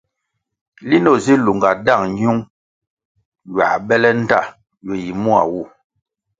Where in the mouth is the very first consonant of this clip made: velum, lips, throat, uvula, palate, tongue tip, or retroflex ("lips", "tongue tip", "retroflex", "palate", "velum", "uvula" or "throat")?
tongue tip